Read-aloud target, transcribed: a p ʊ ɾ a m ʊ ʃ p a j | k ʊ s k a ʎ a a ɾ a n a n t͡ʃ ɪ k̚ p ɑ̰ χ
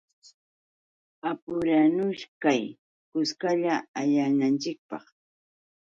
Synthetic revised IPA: a p ʊ ɾ a n ʊ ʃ k a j | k ʊ s k a ʎ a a ʎ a n a n t͡ʃ ɪ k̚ p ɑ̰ χ